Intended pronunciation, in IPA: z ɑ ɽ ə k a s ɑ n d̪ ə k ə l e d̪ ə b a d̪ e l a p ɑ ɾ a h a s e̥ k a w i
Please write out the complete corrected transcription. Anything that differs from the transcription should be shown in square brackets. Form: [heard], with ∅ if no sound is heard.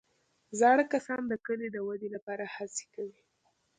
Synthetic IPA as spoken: z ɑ ɽ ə k a s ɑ n d̪ ə k ə l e d̪ ə [w] a d̪ e l a p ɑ ɾ a h a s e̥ k a w i